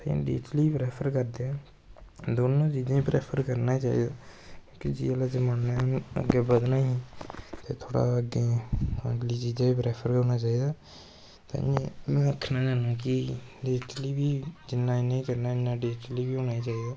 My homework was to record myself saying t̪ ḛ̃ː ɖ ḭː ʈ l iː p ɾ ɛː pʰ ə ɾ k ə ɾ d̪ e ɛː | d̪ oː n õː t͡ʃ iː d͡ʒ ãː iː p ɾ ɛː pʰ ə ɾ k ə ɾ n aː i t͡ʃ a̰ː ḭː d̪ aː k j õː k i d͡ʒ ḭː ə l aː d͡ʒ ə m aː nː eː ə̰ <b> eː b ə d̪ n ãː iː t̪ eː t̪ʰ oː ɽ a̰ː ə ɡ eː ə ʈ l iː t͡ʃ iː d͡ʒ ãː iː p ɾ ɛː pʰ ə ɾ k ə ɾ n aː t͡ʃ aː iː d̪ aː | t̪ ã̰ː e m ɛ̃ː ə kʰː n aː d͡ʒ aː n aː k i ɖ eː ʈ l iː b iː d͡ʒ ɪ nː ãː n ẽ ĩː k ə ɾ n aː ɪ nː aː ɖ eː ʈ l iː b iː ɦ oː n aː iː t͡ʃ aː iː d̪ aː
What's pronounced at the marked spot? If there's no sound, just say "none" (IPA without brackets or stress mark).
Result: ɡ